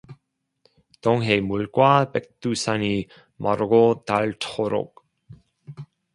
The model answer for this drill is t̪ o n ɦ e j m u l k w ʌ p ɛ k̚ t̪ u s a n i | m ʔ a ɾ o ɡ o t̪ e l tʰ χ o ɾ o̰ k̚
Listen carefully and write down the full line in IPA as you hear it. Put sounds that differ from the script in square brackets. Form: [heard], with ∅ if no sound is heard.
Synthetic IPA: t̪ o [ŋ] ɦ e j m u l k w [a] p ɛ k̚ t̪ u s a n i | m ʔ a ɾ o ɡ o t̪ [a] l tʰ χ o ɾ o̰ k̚